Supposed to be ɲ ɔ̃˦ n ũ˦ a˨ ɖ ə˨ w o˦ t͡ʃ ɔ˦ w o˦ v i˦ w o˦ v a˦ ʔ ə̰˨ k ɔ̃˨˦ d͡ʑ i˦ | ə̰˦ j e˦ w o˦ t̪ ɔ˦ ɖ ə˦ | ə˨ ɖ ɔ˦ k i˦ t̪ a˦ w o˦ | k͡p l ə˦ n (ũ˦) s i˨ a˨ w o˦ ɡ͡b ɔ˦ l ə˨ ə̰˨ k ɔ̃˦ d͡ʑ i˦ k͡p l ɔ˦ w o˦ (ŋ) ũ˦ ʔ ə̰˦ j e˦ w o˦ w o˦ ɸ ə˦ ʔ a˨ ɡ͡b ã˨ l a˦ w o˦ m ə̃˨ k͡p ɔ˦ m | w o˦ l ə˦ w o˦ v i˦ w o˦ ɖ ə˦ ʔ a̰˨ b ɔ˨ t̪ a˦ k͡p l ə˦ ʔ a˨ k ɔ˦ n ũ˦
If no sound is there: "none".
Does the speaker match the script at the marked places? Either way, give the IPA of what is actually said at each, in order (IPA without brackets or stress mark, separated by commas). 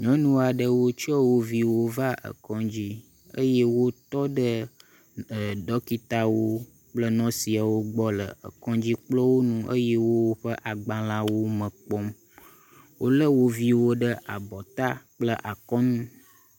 ɔ̃˦, n